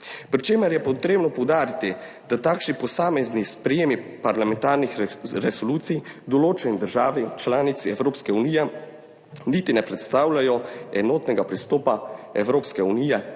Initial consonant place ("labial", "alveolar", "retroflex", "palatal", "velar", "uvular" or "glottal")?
labial